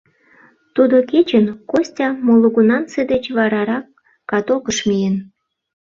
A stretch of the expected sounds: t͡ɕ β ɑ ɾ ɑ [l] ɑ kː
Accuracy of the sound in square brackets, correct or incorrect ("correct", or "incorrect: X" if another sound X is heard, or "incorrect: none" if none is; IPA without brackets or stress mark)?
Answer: incorrect: ɾ